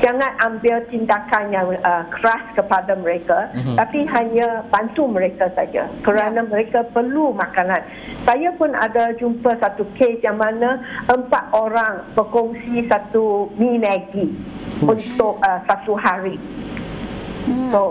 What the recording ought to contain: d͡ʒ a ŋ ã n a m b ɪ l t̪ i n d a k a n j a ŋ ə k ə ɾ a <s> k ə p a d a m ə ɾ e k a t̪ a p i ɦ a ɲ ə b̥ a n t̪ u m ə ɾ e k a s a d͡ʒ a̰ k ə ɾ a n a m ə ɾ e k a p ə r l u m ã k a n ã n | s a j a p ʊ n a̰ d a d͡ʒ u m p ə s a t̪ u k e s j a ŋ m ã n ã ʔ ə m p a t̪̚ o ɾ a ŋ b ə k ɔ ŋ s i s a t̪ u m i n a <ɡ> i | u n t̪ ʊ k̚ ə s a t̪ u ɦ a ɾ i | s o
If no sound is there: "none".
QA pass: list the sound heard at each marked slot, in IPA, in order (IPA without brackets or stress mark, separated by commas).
s, ɡ